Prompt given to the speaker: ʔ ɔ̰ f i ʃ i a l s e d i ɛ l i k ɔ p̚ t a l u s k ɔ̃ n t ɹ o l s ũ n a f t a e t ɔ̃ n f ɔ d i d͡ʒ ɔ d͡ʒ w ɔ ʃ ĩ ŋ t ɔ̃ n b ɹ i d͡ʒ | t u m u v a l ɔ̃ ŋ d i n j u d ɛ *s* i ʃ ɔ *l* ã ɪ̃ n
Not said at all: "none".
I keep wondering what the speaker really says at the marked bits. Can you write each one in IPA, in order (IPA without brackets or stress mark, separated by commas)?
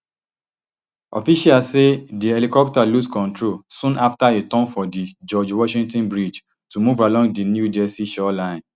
s, l